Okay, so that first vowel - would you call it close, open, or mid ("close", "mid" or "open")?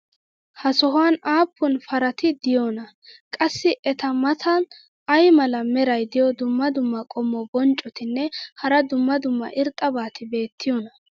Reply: open